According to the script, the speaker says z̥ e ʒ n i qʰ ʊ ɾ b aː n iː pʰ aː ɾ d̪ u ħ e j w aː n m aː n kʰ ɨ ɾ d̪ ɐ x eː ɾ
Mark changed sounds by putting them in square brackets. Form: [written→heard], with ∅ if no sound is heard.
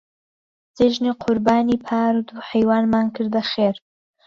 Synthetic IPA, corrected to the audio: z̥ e ʒ n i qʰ ʊ ɾ b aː n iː pʰ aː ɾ d̪ u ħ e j w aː n m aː n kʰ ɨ ɾ d̪ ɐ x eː ɾ